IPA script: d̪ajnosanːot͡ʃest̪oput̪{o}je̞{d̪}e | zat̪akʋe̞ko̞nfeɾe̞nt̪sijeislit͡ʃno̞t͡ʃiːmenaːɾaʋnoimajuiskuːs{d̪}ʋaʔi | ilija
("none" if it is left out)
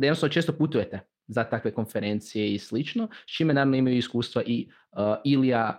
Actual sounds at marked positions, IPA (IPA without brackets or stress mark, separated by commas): u, t̪, t̪